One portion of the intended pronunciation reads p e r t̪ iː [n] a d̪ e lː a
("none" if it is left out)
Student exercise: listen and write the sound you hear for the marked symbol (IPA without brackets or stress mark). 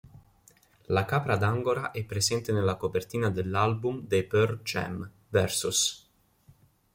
n